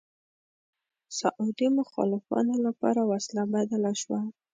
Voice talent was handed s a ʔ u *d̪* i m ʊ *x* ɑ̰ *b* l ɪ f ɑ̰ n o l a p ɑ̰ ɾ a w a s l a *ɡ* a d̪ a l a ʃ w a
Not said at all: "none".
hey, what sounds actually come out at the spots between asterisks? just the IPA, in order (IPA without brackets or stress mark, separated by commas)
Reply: d̪, x, none, b